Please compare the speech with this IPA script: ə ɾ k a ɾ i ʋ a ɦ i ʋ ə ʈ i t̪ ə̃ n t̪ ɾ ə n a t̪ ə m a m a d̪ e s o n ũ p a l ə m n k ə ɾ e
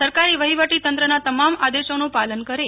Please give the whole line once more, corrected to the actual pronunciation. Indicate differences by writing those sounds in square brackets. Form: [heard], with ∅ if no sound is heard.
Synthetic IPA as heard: ə ɾ k a ɾ i ʋ [ə] ɦ i ʋ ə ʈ i t̪ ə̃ n t̪ ɾ ə n a t̪ ə m a m a d̪ e [ʃ] o n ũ p a l ə [∅] n k ə ɾ e